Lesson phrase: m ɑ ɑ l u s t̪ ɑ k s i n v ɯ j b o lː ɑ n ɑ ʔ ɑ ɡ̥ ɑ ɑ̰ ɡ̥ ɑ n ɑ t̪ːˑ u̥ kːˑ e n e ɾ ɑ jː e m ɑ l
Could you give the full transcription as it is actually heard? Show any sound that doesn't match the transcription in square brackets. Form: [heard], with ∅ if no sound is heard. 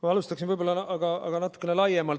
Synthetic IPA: m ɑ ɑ l u s t̪ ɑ k s i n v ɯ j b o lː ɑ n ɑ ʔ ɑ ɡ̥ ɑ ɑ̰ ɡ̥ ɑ n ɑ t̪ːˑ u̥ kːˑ e n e [l] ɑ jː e m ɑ l

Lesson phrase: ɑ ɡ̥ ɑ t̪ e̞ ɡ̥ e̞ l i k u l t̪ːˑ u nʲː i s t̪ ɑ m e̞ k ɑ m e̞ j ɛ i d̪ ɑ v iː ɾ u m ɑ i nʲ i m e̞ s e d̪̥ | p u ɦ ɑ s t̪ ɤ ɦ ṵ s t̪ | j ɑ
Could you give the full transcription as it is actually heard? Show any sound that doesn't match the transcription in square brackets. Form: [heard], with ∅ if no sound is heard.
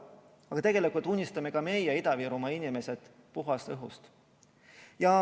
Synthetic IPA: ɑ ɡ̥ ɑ t̪ e̞ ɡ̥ e̞ l i k u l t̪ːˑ u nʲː i s t̪ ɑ m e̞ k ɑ m e̞ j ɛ i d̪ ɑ v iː ɾ u m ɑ i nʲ i m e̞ s e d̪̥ | p u ɦ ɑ s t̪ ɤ ɦ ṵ s t̪ | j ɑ

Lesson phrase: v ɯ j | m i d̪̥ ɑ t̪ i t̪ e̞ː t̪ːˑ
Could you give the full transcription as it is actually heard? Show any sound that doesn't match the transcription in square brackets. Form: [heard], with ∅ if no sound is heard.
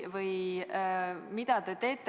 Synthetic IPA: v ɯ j | m i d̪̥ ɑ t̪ [e] t̪ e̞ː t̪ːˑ

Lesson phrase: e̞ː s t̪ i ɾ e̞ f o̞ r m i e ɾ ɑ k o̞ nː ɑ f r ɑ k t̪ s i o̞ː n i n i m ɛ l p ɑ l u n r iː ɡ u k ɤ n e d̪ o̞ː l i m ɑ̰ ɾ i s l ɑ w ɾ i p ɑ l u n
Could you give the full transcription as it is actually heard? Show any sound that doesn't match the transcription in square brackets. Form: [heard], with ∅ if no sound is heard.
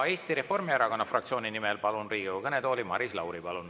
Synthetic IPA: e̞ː s t̪ i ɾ e̞ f o̞ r m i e ɾ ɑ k o̞ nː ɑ f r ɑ k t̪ s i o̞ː n i n i m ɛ l p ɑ l u n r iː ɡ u k ɤ n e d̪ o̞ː l i m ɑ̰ ɾ i s l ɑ w ɾ i p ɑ l u n

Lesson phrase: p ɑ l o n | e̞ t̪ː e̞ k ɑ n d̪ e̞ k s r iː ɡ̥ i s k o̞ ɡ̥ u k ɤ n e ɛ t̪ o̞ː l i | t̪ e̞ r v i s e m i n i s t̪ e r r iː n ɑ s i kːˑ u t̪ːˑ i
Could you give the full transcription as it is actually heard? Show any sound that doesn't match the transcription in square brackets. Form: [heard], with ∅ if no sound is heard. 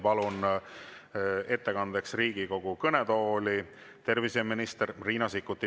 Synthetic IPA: p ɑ l [u] n | e̞ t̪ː e̞ k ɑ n d̪ e̞ k s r iː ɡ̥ i [∅] k o̞ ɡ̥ u k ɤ n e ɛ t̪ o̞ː l i | t̪ e̞ r v i s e m i n i s t̪ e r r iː n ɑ s i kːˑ u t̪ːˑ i

